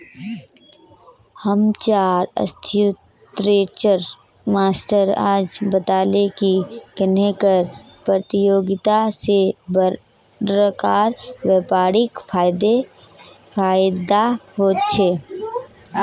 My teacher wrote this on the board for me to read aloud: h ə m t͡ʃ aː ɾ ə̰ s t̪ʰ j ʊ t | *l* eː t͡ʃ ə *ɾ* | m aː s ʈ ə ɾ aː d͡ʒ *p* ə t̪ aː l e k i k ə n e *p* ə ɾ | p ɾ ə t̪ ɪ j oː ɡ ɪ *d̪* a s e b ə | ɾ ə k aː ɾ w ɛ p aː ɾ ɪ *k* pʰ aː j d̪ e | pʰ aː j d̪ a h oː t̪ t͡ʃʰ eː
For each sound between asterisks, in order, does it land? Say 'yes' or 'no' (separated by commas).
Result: no, yes, no, no, no, yes